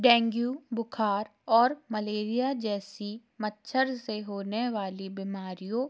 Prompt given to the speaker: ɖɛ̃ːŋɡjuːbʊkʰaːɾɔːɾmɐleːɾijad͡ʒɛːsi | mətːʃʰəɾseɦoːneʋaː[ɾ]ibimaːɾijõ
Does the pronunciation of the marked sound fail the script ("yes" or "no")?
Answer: yes